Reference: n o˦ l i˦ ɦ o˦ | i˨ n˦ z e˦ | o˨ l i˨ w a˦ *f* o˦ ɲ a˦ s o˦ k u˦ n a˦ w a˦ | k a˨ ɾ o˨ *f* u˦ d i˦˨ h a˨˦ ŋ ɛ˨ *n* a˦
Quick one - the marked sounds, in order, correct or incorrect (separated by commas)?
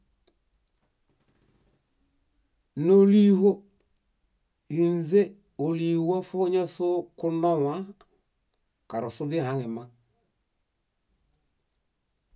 correct, incorrect, incorrect